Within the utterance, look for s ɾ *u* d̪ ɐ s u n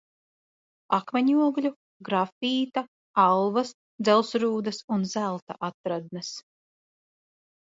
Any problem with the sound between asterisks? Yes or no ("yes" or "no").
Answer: yes